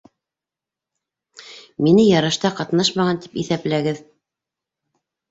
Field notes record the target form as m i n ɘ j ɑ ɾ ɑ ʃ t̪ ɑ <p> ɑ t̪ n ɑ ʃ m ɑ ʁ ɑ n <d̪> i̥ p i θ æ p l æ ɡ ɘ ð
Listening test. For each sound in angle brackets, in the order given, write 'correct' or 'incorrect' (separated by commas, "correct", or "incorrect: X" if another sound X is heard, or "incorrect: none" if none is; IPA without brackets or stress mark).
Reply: incorrect: q, incorrect: t̪